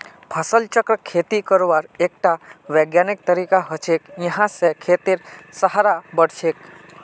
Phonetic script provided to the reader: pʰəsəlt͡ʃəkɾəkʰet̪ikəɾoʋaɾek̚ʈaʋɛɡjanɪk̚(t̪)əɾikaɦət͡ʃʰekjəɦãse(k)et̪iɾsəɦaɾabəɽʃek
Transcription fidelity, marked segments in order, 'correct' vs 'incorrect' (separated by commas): correct, incorrect